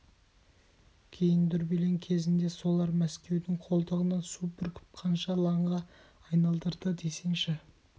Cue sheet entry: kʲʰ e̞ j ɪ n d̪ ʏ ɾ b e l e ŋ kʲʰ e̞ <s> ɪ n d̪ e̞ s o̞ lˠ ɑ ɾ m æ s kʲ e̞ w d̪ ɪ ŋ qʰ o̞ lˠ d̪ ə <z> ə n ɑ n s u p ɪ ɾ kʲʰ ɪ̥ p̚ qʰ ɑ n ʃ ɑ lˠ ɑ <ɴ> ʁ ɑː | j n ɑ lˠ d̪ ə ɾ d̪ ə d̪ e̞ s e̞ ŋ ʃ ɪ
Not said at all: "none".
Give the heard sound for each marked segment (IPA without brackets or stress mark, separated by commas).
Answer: z, ʁ, ɴ